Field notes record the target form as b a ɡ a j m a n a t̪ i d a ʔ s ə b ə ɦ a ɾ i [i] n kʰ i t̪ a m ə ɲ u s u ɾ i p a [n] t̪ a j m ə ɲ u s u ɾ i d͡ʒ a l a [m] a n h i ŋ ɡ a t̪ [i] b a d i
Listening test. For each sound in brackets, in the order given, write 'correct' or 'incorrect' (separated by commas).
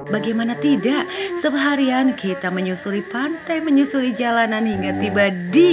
incorrect, correct, incorrect, correct